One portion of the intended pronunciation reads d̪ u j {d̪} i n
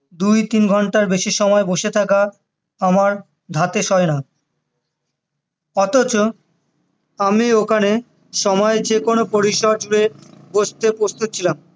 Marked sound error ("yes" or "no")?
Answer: yes